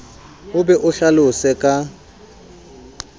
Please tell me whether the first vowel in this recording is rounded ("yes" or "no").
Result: yes